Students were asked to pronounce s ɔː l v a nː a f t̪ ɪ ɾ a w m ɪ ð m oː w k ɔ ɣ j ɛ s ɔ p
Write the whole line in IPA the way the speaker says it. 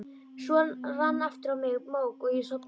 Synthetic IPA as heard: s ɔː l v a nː a f t̪ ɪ ɾ a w m ɪ ɣ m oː w k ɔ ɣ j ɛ s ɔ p